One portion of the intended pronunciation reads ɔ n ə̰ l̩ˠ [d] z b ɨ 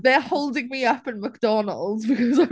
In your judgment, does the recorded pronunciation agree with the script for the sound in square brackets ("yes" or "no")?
yes